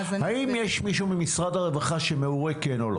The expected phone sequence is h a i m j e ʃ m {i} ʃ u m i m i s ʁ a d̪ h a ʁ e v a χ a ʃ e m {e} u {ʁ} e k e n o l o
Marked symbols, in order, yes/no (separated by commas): yes, yes, yes